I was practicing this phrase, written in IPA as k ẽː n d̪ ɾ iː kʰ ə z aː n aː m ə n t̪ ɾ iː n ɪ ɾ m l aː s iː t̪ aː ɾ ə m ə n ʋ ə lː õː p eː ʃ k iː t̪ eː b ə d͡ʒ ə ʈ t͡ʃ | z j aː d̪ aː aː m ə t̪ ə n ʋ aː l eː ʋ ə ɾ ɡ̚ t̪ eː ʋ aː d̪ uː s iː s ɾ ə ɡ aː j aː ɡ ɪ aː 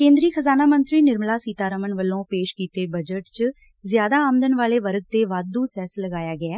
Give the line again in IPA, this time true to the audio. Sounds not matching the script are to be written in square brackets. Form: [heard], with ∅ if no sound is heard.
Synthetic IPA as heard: k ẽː n d̪ ɾ iː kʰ ə z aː n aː m ə n t̪ ɾ iː n ɪ ɾ m l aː s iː t̪ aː ɾ ə m ə n ʋ ə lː õː p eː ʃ k iː t̪ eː b ə d͡ʒ ə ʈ t͡ʃ | z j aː d̪ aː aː m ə [d̪] ə n ʋ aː l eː ʋ ə ɾ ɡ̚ t̪ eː ʋ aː d̪ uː s [ɛː] s [l] ə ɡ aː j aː ɡ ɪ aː